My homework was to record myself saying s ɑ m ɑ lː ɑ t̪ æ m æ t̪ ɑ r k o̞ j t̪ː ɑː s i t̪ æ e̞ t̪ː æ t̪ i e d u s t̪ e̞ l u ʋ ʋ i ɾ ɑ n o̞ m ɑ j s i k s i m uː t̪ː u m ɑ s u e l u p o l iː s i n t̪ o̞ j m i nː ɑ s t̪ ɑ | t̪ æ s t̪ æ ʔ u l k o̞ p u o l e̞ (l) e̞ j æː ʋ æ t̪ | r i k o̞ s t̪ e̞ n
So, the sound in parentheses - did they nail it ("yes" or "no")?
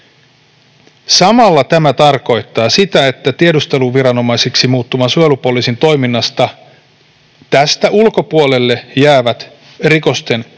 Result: no